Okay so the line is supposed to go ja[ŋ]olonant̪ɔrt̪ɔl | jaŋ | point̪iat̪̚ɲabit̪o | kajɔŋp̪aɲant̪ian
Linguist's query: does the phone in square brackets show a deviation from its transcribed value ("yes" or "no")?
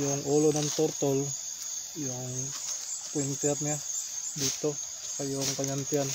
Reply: no